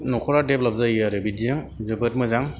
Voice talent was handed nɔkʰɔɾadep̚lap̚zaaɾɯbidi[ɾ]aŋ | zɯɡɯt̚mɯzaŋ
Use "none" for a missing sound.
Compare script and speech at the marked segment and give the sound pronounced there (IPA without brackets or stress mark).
none